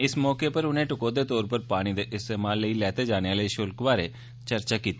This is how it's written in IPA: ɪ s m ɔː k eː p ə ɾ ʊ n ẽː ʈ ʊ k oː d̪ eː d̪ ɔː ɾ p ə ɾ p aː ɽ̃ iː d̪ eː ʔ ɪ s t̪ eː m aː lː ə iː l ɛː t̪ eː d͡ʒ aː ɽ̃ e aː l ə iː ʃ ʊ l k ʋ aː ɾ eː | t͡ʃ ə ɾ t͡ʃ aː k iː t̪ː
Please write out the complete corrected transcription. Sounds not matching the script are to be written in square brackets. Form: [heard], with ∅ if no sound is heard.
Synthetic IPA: ɪ s m ɔː k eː p ə ɾ ʊ n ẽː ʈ ʊ k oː d̪ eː [t̪] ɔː ɾ p ə ɾ p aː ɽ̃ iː d̪ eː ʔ ɪ s t̪ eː m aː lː ə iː l ɛː t̪ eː d͡ʒ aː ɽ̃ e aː l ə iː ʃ ʊ l k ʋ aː ɾ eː | t͡ʃ ə ɾ t͡ʃ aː k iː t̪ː